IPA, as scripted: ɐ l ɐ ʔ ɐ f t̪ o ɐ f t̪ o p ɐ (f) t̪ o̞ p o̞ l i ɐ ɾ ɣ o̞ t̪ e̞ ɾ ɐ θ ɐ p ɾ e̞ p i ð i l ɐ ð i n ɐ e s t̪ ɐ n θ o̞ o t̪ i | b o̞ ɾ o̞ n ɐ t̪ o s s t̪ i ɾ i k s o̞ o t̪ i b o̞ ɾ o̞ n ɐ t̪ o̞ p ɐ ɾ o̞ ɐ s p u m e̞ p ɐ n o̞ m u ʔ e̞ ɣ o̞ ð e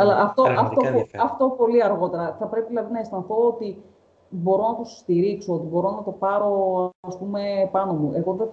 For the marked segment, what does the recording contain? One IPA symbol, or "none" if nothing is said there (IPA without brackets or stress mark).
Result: f